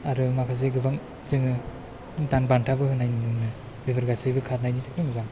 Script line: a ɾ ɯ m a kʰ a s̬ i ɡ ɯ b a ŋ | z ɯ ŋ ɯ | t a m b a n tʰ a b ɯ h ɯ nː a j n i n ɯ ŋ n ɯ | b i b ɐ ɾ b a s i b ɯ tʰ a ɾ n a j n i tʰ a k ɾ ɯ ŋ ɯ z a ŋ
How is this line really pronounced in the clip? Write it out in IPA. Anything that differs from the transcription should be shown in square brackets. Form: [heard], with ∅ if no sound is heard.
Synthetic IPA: a ɾ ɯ m a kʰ a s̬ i ɡ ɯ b a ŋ | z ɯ ŋ ɯ | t a [n] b a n tʰ a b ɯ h ɯ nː a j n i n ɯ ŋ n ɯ | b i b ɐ ɾ [ɡ] a s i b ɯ [kʰ] a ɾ n a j n i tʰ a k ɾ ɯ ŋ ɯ z a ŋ